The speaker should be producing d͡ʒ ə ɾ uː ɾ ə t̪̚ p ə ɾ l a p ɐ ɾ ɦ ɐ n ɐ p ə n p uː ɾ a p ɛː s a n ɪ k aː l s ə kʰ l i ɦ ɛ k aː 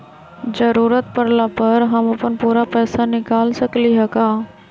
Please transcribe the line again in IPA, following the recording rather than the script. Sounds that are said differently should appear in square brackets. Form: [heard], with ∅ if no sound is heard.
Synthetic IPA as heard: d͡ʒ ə ɾ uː ɾ ə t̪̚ p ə ɾ l a p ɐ ɾ ɦ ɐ [m] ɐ p ə n p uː ɾ a p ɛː s a n ɪ k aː l s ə [k] l i ɦ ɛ k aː